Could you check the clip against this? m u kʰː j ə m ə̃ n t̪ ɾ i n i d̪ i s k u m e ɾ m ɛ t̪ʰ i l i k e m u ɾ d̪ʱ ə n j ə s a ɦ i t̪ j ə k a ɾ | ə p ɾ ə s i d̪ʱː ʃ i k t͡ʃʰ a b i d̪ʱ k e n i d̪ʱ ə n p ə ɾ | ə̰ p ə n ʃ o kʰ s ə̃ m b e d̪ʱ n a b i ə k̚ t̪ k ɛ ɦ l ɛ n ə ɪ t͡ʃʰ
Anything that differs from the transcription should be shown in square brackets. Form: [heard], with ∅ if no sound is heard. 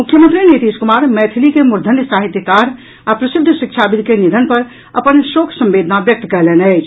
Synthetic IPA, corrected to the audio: m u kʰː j ə m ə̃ n t̪ ɾ i n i [t̪] i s k u m [a] ɾ m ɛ t̪ʰ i l i k e m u ɾ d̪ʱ ə n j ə s a ɦ i t̪ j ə k a ɾ | [a] p ɾ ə s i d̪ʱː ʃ i k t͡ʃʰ a b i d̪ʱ k e n i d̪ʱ ə n p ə ɾ | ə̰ p ə n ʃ o kʰ s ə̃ m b e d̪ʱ n a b [j] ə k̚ t̪ k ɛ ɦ l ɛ n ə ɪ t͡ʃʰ